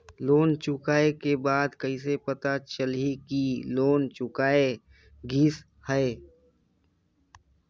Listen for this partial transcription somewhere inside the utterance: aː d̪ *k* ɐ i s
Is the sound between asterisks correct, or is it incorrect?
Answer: correct